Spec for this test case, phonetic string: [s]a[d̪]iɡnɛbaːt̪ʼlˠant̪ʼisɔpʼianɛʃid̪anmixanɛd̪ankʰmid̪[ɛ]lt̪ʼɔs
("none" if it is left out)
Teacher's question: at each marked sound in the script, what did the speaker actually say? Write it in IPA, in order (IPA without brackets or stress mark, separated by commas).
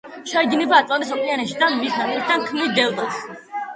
ʃ, none, ɛ